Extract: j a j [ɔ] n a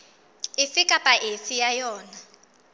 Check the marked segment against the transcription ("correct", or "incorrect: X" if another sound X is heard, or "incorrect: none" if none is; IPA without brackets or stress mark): incorrect: ɔː